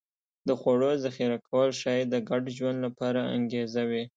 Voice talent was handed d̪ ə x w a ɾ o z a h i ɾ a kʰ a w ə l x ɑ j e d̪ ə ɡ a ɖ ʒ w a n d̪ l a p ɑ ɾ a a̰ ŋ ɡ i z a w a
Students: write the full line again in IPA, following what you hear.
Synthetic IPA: d̪ ə x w a ɽ o z a x i ɾ a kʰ a w ə l ʃ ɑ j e d̪ ə ɡ a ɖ ʒ w a n d̪ l a p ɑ ɾ a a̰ ŋ ɡ e z a w i